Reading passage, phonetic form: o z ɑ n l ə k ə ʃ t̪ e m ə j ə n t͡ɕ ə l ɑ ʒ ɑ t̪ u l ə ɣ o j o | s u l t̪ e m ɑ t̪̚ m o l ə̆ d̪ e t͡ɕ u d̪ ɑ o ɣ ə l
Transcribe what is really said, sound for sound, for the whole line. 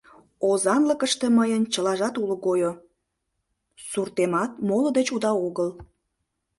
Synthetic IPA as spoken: o z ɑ n l ə k ə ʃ t̪ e m ə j ə n t͡ɕ ə l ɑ ʒ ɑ t̪ u l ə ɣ o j o | s u r t̪ e m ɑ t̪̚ m o l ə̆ d̪ e t͡ɕ u d̪ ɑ o ɣ ə l